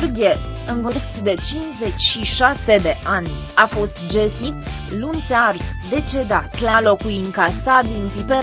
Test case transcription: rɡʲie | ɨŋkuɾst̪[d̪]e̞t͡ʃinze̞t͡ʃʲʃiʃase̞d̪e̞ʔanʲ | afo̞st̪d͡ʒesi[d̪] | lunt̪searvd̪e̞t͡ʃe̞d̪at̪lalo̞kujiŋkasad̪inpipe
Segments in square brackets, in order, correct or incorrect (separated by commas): correct, incorrect